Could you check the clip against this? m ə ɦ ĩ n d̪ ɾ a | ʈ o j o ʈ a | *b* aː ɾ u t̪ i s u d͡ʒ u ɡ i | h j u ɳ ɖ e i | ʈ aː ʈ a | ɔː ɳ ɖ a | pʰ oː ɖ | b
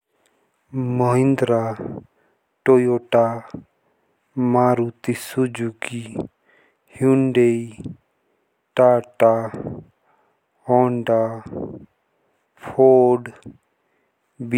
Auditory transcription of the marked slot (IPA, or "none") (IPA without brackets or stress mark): m